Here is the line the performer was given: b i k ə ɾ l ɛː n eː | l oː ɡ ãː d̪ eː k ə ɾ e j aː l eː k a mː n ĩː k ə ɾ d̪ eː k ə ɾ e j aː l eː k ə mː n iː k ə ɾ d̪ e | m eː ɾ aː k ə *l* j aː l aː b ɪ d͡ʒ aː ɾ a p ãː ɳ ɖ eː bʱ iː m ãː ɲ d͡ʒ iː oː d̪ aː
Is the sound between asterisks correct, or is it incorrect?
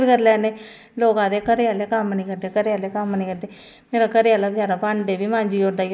incorrect